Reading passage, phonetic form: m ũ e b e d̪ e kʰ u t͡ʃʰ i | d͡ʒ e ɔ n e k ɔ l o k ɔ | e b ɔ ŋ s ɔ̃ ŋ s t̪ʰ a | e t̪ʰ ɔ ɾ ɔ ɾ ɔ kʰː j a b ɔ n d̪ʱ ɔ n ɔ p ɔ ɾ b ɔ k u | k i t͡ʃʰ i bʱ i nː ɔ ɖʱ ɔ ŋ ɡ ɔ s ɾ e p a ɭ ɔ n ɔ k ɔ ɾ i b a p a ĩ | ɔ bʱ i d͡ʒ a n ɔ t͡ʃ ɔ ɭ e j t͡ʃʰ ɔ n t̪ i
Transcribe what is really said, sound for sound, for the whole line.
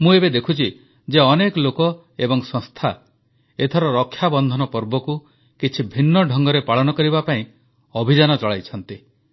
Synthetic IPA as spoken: m ũ e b e d̪ e kʰ u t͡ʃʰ i | d͡ʒ e ɔ n e k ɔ l o k ɔ | e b ɔ ŋ s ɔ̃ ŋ s t̪ʰ a | e t̪ʰ ɔ ɾ ɔ ɾ ɔ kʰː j a b ɔ n d̪ʱ ɔ n ɔ p ɔ ɾ b ɔ k u | k i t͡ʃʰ i bʱ i nː ɔ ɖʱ ɔ ŋ ɡ ɔ ɾ e p a ɭ ɔ n ɔ k ɔ ɾ i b a p a ĩ | ɔ bʱ i d͡ʒ a n ɔ t͡ʃ ɔ ɭ a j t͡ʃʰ ɔ n t̪ i